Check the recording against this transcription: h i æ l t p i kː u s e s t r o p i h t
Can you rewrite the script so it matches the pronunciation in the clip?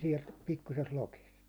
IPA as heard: s i ɛ l t p i kː u s e s t l o k i s t